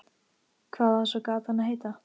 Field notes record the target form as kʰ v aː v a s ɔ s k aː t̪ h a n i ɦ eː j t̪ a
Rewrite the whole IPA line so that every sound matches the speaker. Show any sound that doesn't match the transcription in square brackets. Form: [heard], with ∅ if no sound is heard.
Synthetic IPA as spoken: kʰ v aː [ð] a s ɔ [∅] k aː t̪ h a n [a] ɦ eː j t̪ a